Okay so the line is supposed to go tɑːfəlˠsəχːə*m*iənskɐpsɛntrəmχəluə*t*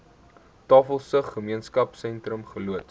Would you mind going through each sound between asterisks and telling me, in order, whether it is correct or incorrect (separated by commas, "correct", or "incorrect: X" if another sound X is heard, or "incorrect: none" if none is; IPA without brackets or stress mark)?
correct, correct